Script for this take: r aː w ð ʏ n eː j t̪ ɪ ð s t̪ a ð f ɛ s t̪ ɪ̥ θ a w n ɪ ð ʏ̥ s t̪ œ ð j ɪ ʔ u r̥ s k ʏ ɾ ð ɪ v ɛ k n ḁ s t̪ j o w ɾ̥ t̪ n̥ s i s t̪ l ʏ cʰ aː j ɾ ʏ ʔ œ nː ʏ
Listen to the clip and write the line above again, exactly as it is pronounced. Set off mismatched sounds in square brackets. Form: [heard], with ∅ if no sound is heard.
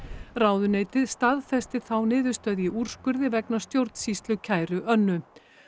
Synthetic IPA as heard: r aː w ð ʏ n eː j t̪ ɪ ð s t̪ a ð f ɛ s t̪ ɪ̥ θ a w n [ɪː] ð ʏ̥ s t̪ œ ð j ɪ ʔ u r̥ s k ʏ ɾ ð ɪ v ɛ k n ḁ s t̪ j o w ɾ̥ t̪ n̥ s i s t̪ l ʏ cʰ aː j ɾ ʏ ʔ œ nː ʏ